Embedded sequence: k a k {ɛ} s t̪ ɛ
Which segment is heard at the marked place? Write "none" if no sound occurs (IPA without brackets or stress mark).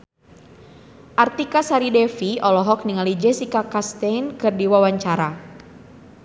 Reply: a